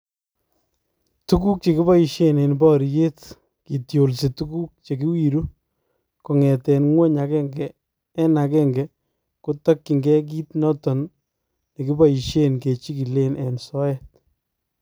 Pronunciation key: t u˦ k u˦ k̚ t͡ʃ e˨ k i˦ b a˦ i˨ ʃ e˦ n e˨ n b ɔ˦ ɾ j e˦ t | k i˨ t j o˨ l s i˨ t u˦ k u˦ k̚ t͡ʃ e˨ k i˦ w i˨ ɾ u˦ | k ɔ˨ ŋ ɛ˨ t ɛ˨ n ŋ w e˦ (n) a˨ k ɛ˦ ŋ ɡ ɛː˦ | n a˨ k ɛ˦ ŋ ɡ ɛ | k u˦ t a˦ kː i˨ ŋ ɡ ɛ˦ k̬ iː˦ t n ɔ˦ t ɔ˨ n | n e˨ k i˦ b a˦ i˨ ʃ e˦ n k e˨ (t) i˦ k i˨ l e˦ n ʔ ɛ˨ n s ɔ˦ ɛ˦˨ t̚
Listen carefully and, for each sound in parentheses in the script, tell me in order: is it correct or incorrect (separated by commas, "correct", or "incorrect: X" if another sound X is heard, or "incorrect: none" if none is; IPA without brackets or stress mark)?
incorrect: ɲ, incorrect: t͡ʃ